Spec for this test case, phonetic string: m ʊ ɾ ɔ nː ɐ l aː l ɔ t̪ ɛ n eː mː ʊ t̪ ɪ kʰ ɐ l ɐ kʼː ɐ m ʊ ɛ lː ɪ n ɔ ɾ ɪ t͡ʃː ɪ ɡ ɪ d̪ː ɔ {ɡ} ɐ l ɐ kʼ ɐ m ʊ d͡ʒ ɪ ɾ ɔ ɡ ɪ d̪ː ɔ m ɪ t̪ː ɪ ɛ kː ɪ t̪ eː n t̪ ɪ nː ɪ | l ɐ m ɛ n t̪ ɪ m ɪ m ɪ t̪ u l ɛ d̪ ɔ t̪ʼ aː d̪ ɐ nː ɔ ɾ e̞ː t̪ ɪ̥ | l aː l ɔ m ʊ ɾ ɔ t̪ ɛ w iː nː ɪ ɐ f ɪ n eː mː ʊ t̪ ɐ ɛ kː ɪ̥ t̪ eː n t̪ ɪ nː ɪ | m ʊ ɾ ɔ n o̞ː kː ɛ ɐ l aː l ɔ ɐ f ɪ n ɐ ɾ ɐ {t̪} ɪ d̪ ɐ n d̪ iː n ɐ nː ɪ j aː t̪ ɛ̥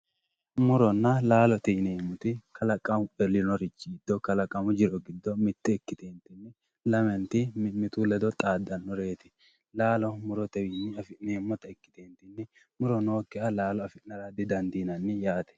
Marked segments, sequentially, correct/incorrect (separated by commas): incorrect, incorrect